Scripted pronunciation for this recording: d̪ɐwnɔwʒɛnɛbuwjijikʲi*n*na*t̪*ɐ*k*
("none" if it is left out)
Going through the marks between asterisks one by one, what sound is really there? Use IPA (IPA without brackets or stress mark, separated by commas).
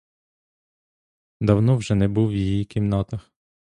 m, t̪, x